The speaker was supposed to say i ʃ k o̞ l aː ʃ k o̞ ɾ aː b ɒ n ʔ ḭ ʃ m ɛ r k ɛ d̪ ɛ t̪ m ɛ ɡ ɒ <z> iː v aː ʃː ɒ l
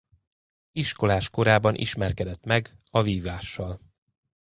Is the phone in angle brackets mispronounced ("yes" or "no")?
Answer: yes